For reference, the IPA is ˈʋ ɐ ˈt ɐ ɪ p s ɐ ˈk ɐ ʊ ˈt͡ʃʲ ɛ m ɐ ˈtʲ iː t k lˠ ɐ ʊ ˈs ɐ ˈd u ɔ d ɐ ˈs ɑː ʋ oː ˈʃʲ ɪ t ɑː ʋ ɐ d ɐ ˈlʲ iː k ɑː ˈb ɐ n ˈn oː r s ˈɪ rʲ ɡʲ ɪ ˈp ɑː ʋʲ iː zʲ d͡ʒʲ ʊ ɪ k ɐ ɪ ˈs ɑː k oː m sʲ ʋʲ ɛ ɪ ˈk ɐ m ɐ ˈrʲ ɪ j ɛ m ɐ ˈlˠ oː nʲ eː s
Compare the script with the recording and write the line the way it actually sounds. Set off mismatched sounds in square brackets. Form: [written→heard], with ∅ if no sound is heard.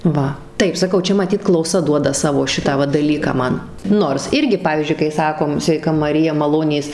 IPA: ˈʋ ɐ ˈt ɐ ɪ p s ɐ ˈk ɐ ʊ ˈt͡ʃʲ ɛ m ɐ ˈtʲ iː t k lˠ ɐ ʊ ˈs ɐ ˈd u ɔ d ɐ ˈs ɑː ʋ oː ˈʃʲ ɪ t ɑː ʋ ɐ d ɐ ˈlʲ iː k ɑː [ˈb→ˈm] ɐ n ˈn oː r s ˈɪ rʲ ɡʲ ɪ ˈp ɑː ʋʲ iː zʲ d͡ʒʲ ʊ ɪ k ɐ ɪ ˈs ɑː k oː m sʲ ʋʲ ɛ ɪ ˈk ɐ m ɐ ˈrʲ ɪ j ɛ m ɐ ˈlˠ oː nʲ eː s